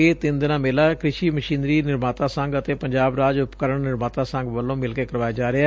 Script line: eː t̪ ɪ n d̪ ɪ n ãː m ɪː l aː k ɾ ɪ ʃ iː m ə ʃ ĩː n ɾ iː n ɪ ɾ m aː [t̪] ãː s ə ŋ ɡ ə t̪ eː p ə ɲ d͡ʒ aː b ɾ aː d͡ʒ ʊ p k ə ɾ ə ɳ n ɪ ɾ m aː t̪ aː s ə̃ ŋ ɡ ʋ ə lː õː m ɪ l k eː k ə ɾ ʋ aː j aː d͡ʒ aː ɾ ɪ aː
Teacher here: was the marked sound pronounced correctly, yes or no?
yes